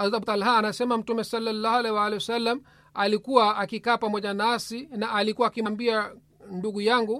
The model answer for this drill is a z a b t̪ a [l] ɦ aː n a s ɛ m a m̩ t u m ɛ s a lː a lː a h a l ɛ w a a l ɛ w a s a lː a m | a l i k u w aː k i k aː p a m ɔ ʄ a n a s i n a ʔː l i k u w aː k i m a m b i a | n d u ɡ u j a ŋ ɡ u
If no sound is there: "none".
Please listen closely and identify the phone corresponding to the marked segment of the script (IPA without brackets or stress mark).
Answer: l